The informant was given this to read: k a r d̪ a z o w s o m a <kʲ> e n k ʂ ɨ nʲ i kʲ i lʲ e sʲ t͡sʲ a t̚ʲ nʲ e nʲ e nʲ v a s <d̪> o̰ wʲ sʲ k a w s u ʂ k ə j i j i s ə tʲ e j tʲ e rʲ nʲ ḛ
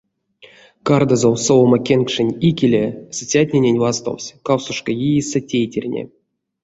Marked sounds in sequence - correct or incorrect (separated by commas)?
correct, incorrect